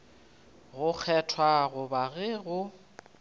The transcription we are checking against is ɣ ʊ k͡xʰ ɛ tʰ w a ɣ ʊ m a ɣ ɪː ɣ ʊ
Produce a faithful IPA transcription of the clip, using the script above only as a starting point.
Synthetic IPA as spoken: ɣ ʊ k͡xʰ ɛ tʰ w a ɣ ʊ b a ɣ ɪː ɣ ʊ